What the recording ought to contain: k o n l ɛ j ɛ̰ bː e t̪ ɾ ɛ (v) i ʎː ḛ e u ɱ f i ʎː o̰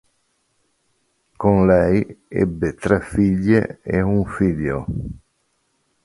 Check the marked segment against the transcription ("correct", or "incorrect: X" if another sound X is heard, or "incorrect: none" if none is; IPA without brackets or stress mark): incorrect: f